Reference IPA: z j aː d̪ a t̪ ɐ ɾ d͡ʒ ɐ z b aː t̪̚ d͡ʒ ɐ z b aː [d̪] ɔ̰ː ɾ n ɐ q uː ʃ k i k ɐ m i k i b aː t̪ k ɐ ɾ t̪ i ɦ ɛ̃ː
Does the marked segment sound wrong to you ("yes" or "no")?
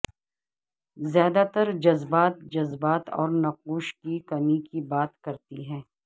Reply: yes